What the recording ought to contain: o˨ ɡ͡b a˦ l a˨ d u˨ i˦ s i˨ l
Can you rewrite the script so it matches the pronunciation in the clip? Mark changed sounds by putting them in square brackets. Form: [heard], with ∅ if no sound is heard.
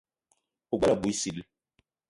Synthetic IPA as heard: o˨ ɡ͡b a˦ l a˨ [b] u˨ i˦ s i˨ l